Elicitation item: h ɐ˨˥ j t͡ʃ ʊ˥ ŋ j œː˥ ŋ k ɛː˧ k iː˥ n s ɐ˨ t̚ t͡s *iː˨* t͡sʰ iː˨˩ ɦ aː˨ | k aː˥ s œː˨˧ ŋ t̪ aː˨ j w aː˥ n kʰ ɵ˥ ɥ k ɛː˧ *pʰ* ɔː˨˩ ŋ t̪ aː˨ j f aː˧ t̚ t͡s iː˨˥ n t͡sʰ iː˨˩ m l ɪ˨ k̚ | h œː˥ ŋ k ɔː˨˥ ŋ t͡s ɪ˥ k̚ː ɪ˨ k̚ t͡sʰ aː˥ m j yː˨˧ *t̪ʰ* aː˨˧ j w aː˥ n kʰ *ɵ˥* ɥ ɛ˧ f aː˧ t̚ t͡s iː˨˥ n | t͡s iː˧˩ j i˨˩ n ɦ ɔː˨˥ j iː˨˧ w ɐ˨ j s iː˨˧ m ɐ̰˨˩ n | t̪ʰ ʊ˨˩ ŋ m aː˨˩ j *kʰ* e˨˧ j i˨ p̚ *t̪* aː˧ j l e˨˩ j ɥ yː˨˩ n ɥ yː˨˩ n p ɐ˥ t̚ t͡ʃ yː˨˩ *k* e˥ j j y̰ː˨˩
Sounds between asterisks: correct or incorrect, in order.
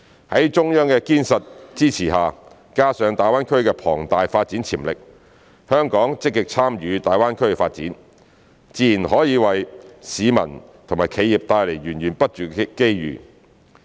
incorrect, correct, incorrect, correct, correct, correct, correct

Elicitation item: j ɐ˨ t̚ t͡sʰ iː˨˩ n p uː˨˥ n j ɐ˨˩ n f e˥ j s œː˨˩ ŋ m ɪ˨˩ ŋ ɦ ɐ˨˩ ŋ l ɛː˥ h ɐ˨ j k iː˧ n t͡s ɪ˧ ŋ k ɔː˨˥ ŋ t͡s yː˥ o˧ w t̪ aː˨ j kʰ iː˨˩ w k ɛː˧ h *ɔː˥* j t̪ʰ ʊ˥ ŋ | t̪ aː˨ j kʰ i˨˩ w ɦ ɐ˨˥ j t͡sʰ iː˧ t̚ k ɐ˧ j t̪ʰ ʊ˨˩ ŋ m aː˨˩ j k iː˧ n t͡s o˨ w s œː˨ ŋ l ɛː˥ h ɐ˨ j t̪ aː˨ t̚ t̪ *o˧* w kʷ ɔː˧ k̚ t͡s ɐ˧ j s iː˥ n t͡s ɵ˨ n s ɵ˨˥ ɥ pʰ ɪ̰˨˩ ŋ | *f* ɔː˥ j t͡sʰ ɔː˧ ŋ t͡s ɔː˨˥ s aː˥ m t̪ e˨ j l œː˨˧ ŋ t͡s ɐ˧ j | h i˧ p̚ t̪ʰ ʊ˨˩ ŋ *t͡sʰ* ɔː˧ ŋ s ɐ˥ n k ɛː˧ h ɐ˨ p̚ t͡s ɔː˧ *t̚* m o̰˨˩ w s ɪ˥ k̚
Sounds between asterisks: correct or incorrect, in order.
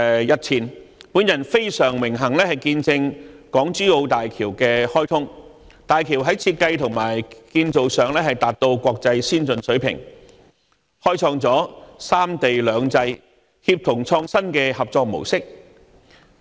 correct, correct, incorrect, correct, incorrect

